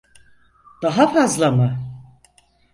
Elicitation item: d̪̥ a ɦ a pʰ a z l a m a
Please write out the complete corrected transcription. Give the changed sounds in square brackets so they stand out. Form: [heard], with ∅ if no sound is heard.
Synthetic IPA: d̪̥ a ɦ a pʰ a z l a m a

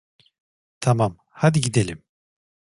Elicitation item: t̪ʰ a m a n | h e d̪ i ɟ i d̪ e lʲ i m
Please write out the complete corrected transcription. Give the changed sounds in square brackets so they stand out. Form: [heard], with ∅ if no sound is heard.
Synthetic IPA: t̪ʰ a m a [m] | h [a] d̪ i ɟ i d̪ e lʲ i m

